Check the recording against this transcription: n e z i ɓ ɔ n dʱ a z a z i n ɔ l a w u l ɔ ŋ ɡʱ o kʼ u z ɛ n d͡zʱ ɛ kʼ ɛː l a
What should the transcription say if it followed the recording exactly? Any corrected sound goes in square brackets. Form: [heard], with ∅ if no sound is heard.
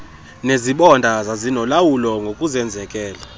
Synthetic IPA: n e z i ɓ ɔ n dʱ a z a z i n ɔ l a w u l ɔ ŋ ɡʱ o kʼ u z ɛ n d͡zʱ ɛ kʼ ɛː l a